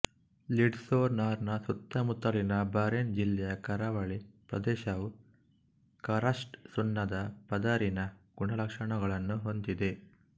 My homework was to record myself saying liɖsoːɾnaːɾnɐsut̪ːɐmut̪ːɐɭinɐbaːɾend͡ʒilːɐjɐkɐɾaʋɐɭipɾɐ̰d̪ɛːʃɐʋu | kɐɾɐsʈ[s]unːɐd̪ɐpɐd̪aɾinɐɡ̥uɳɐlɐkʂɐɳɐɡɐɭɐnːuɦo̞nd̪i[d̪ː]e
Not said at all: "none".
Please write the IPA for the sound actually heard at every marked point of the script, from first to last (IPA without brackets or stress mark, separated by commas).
s, d̪